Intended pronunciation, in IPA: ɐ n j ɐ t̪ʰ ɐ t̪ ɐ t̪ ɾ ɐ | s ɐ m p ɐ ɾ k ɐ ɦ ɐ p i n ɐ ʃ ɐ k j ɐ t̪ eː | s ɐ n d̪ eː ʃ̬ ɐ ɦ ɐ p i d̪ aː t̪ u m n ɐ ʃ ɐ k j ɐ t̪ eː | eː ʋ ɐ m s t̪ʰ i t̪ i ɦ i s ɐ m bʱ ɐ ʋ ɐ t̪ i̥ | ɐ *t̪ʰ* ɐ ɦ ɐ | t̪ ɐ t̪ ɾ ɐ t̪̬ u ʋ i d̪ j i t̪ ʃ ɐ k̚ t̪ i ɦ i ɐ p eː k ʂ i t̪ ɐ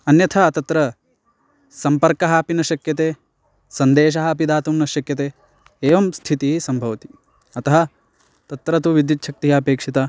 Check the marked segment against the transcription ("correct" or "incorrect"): incorrect